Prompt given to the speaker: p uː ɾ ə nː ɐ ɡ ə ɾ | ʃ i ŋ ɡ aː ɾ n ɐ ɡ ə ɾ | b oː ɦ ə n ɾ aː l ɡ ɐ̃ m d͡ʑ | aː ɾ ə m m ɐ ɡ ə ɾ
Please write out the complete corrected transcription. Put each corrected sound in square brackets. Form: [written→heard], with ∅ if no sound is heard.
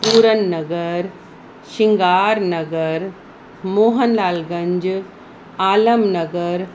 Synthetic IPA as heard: p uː ɾ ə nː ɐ ɡ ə ɾ | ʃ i ŋ ɡ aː ɾ n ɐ ɡ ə ɾ | [b→m] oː ɦ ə n [ɾ→l] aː l ɡ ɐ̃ [m→ɲ] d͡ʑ | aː [ɾ→l] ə m [m→n] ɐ ɡ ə ɾ